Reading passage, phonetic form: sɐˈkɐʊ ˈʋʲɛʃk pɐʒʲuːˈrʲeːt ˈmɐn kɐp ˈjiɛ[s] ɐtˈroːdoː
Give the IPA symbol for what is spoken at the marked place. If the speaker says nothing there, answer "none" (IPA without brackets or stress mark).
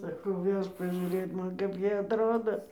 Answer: none